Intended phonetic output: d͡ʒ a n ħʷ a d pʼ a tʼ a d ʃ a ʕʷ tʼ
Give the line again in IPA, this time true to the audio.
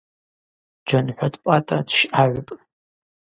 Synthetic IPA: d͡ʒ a n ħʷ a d pʼ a tʼ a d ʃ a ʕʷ pʼ

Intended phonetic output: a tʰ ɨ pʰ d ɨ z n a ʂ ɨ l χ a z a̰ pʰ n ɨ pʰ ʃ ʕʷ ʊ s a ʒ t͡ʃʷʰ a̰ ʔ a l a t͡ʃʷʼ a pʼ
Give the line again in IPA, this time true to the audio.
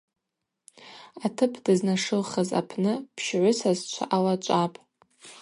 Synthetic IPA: a tʰ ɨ pʰ d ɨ z n a ʂ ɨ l χ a z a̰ pʰ n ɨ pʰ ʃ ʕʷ ʊ s a z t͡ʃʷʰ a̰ ʔ a l a t͡ʃʷʼ a pʼ

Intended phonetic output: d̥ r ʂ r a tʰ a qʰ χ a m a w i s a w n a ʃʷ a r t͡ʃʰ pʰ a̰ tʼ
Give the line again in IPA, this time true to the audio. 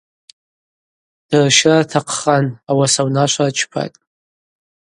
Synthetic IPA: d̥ r ʃ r a tʰ a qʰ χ a n a w a s a w n a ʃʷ a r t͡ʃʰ pʰ a̰ tʼ

